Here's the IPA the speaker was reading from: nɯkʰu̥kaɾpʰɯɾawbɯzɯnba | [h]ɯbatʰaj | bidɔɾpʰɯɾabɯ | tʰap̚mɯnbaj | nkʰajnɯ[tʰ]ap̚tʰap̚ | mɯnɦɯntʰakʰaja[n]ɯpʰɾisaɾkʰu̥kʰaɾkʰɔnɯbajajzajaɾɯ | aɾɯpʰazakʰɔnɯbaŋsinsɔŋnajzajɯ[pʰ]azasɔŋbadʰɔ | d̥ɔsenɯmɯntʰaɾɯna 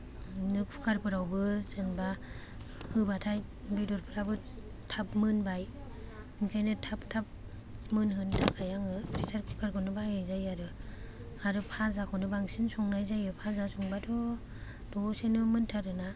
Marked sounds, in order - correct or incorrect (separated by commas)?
correct, correct, incorrect, correct